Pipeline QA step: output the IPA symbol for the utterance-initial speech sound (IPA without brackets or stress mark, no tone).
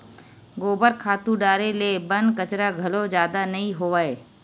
ɡ